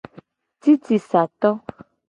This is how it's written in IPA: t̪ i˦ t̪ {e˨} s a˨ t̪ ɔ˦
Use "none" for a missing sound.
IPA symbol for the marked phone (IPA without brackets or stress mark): i˨